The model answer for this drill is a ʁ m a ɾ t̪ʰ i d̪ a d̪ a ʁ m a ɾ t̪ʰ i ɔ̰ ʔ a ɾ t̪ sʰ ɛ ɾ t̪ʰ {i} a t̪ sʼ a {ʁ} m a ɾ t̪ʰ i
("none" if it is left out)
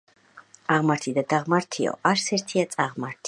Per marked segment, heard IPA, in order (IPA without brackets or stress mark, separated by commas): i, ʁ